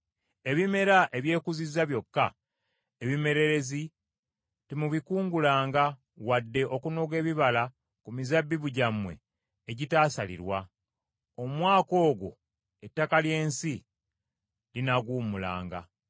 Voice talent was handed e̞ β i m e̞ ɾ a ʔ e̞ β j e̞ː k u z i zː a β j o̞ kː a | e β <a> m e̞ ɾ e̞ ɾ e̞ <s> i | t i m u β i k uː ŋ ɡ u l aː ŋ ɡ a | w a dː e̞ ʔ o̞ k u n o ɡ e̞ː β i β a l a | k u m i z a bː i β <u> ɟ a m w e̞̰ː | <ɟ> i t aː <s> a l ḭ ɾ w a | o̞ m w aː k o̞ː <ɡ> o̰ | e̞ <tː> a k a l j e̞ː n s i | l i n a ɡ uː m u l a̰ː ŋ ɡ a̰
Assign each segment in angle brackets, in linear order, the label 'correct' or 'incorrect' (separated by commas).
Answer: incorrect, incorrect, correct, correct, correct, correct, correct